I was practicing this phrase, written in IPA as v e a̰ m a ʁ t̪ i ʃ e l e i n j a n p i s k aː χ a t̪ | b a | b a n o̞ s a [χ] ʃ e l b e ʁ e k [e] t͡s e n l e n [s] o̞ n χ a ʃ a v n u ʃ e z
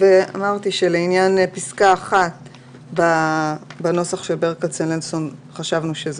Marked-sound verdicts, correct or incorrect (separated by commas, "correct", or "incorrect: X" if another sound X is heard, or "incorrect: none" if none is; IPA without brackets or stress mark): correct, incorrect: a, correct